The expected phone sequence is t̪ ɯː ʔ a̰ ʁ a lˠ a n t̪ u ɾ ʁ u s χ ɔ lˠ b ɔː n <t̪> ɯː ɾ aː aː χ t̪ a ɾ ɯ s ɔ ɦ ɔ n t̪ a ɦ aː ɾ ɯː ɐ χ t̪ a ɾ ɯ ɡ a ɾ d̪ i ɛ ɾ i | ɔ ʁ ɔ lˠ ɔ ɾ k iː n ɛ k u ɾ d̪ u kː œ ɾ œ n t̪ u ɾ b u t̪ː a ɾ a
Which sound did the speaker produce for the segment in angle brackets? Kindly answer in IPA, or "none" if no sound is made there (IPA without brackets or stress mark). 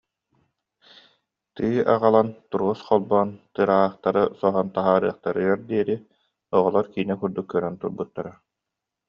t̪